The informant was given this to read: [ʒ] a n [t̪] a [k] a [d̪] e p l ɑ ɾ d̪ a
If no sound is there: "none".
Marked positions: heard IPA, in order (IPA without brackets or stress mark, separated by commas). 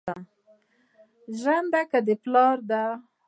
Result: ʒ, d̪, k, d̪